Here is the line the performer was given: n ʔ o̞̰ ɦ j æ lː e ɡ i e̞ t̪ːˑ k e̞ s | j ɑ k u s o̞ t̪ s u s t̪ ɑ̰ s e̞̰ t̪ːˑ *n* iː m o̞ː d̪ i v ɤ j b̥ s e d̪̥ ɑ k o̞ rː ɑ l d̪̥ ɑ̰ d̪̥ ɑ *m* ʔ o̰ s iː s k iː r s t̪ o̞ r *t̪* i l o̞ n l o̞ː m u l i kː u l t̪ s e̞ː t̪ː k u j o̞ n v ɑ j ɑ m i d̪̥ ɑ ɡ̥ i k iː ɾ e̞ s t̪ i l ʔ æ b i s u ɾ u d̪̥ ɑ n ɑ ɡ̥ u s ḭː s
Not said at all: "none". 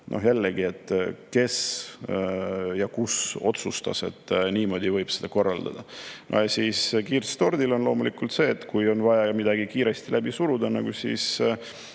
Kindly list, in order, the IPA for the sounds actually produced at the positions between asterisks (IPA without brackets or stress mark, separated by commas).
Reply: n, n, d̪